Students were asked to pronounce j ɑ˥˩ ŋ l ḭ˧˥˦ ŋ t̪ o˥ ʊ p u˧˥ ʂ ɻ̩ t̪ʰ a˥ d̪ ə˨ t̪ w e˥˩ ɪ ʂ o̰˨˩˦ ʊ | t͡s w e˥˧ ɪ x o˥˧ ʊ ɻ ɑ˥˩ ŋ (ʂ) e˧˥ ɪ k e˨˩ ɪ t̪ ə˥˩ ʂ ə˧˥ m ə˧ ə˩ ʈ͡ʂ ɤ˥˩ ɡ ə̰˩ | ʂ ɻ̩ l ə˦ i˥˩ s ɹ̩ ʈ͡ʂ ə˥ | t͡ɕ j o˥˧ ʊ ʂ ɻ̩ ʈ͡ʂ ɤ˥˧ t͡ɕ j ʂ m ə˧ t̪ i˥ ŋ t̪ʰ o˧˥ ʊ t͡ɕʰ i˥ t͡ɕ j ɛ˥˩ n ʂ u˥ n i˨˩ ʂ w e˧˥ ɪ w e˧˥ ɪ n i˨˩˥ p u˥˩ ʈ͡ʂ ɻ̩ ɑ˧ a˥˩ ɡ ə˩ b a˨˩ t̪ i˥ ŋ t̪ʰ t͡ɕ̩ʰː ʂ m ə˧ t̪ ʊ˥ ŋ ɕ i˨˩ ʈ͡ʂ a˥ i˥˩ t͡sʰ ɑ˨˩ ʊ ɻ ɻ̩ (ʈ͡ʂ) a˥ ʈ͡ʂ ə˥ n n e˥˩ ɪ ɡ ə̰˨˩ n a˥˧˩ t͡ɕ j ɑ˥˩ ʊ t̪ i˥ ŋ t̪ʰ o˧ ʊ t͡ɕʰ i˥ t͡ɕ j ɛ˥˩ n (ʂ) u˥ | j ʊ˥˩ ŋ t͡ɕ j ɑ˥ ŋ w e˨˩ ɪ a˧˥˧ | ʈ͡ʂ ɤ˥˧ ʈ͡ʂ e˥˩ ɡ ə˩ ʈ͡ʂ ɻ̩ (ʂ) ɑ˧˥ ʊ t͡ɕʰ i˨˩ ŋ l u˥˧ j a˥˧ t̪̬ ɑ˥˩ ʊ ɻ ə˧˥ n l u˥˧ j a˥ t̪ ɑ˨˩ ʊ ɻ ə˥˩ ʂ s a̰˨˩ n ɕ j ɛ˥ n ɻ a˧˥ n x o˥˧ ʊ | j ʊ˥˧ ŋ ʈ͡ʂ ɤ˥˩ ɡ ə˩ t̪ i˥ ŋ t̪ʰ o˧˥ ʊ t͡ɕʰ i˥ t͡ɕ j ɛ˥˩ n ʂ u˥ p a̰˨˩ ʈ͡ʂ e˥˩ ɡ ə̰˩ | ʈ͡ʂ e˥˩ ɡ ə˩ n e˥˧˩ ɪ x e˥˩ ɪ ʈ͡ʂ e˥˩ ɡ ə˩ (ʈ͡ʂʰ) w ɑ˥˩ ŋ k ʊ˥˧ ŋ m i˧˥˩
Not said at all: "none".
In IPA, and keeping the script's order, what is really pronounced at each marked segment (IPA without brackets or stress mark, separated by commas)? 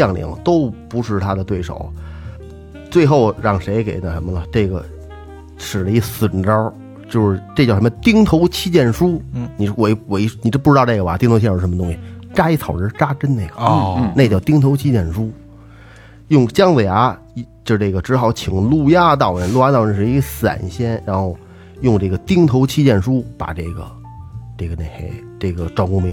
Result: ʂ, ʈ͡ʂ, ʂ, x, ʈ͡ʂ